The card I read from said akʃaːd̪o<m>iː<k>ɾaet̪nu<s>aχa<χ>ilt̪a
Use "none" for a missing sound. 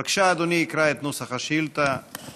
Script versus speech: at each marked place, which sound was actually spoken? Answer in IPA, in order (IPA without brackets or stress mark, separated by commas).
n, k, s, ʃ